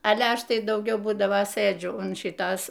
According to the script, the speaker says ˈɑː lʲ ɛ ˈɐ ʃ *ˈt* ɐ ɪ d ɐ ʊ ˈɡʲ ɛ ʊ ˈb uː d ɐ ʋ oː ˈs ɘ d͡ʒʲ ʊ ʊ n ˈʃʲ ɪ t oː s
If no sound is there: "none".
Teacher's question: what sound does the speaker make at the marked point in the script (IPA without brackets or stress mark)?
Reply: t